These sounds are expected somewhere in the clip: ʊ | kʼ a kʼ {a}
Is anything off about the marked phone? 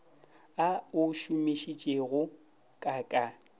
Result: no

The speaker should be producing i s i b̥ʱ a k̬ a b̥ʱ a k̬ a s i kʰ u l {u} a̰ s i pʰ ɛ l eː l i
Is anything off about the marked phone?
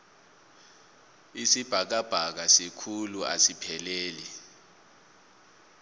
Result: no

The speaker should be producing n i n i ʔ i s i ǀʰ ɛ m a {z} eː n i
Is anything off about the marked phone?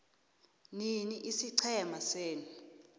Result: yes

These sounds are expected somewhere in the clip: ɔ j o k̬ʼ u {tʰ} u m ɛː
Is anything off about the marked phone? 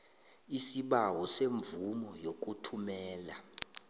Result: no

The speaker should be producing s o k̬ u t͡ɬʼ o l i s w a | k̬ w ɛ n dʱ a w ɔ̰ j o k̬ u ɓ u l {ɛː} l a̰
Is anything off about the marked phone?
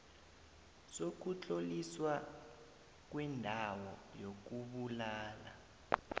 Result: yes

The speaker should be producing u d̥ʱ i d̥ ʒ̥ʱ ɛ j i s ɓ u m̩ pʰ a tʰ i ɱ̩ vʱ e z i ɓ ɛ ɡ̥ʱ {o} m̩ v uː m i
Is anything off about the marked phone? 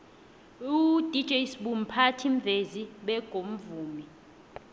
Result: no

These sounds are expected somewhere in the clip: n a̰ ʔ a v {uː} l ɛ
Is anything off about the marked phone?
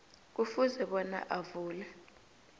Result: no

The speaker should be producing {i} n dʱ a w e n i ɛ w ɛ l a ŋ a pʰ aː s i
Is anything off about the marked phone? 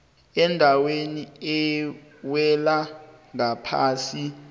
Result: yes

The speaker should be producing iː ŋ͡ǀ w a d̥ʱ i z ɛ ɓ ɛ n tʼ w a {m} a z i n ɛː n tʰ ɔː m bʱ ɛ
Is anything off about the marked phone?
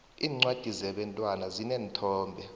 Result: yes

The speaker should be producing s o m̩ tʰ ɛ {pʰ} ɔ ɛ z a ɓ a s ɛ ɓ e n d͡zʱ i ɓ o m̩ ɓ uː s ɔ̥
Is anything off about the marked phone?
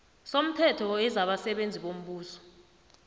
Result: yes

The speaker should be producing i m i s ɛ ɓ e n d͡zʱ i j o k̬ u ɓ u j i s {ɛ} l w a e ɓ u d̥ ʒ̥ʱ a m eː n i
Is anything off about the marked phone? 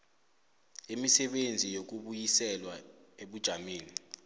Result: no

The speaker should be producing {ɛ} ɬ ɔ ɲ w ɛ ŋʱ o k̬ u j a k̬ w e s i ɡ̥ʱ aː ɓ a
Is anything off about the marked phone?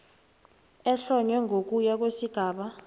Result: no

